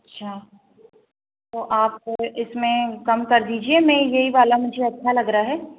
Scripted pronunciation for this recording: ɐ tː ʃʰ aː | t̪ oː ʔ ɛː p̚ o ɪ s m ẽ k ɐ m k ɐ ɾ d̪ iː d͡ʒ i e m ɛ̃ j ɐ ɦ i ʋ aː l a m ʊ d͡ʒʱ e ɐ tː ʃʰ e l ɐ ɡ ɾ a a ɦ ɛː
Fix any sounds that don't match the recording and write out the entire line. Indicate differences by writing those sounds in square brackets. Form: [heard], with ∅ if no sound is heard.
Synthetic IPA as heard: ɐ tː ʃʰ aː | t̪ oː ʔ [aː] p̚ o ɪ s m ẽ k ɐ m k ɐ ɾ d̪ iː d͡ʒ i e m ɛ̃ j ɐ ɦ i ʋ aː l a m ʊ d͡ʒʱ e ɐ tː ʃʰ [a] l ɐ ɡ ɾ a a ɦ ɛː